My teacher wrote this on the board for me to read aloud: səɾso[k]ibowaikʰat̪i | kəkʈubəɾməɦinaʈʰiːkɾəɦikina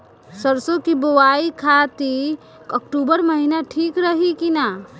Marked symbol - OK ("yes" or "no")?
yes